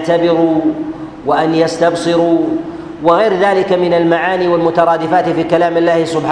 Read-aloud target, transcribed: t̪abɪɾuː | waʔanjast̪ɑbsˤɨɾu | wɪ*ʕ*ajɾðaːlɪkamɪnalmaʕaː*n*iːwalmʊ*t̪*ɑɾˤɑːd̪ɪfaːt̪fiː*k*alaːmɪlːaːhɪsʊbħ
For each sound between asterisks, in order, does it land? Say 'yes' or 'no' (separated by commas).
no, yes, yes, yes